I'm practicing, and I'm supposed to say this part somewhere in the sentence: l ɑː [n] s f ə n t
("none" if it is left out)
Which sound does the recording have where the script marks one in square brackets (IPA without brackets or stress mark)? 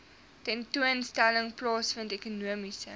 none